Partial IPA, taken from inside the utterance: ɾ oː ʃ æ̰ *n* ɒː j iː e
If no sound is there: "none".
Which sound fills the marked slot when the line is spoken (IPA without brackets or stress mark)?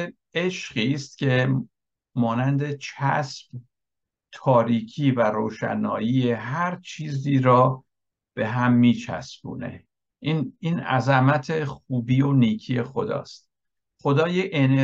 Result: n